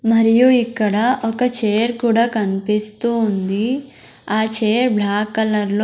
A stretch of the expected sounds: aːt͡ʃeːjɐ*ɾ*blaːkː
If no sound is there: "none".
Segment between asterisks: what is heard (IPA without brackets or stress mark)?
ɾ